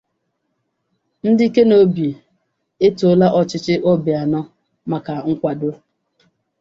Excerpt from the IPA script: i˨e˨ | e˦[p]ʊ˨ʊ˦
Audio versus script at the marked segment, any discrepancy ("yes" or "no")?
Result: yes